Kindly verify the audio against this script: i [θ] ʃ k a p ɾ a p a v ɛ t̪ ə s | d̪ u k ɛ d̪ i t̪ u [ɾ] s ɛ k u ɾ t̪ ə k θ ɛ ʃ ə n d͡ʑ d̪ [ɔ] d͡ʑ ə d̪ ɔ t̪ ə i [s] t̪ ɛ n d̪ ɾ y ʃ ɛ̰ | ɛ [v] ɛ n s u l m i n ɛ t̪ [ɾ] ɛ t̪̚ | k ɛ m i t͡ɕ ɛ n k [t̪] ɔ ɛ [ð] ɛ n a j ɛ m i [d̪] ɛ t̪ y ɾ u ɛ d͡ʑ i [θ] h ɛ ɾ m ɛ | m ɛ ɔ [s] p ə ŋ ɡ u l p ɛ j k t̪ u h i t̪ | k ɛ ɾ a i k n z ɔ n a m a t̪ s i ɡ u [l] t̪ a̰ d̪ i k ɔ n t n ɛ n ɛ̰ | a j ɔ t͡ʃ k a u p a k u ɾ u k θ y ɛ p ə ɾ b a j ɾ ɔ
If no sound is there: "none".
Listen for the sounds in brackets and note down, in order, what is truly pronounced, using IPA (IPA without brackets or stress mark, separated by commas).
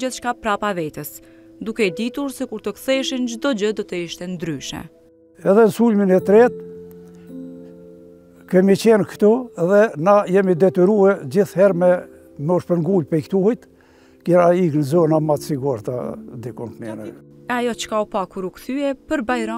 θ, ɾ, ɔ, ʃ, ð, ɾ, t̪, ð, d̪, θ, ʃ, ɾ